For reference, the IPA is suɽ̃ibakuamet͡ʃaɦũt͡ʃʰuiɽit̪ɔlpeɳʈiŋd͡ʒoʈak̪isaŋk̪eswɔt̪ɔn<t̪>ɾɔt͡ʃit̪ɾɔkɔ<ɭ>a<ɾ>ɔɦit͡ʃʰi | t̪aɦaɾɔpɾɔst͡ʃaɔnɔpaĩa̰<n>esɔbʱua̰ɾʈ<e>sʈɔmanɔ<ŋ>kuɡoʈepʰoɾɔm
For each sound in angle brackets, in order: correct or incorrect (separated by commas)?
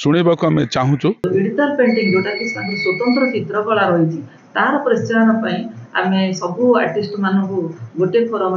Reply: correct, correct, correct, incorrect, incorrect, correct